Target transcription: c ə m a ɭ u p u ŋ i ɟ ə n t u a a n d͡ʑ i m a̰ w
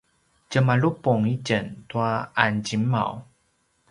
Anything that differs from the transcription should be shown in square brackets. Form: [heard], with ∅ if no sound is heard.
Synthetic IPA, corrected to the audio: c ə m a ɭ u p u ŋ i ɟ ə n t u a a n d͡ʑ i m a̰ w